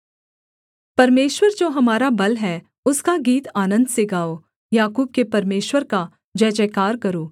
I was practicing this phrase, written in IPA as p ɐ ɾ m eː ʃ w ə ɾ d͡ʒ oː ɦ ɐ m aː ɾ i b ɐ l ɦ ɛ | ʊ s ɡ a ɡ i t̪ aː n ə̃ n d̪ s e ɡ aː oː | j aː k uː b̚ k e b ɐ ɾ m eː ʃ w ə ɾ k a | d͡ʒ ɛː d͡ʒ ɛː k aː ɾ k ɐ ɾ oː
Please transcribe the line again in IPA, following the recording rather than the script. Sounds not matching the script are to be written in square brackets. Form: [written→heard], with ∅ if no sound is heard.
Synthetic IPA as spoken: p ɐ ɾ m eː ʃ w ə ɾ d͡ʒ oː ɦ ɐ m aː ɾ [i→a] b ɐ l ɦ ɛ | ʊ s [ɡ→k] a ɡ [i→iː] t̪ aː n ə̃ n d̪ s e ɡ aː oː | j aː k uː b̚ k e [b→p] ɐ ɾ m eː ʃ w ə ɾ k a | d͡ʒ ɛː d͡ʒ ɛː k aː ɾ k ɐ ɾ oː